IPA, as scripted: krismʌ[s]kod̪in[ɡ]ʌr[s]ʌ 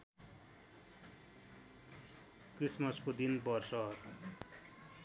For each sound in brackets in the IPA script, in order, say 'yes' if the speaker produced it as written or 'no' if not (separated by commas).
yes, no, yes